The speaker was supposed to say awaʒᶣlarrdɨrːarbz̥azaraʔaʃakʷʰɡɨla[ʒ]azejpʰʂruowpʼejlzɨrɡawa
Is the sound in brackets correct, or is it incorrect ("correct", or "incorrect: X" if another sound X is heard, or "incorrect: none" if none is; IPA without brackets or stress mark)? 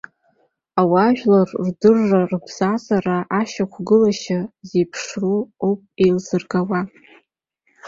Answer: incorrect: ʃ